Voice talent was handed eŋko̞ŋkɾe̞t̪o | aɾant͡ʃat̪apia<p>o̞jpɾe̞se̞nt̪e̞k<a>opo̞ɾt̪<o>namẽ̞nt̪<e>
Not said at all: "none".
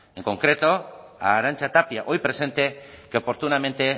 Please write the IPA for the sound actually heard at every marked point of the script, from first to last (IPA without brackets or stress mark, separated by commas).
ʔ, e, u, e